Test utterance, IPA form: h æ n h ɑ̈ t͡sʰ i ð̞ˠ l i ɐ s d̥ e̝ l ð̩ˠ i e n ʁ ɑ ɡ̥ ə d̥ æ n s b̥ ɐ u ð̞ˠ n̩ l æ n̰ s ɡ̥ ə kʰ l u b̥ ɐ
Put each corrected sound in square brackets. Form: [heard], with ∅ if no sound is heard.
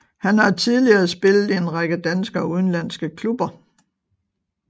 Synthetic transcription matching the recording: h æ n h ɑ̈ t͡sʰ i ð̞ˠ l i ɐ s [b̥] e̝ l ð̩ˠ i e n ʁ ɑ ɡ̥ ə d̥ æ n s [ɡ̥] ɐ u ð̞ˠ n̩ l æ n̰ s ɡ̥ ə kʰ l u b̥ ɐ